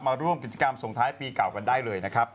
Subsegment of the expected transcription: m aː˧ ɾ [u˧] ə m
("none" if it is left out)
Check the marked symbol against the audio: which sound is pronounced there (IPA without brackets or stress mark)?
u˥˩